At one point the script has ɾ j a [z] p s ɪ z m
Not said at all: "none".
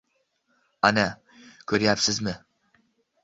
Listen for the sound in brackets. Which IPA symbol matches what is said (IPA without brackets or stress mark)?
none